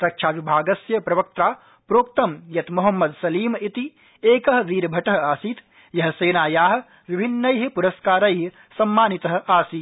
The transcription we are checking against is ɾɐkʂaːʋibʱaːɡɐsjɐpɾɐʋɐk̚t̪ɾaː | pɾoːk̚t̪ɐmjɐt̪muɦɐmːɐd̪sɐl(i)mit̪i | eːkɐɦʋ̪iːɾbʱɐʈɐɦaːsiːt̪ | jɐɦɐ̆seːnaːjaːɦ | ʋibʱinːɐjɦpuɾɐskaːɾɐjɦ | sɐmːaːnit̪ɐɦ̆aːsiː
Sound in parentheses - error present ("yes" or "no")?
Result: yes